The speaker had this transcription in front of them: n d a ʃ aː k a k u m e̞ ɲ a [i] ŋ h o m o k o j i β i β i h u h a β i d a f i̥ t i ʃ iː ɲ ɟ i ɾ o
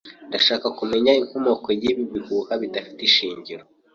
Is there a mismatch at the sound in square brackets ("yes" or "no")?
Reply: no